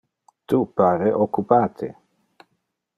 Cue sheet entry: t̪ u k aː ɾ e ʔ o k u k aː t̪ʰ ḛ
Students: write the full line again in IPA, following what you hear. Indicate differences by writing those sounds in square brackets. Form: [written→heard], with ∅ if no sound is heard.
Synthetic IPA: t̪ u [k→p] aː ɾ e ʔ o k u [k→p] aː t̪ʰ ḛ